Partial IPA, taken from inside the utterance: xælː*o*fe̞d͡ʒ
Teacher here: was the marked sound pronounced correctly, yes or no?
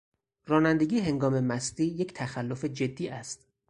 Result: yes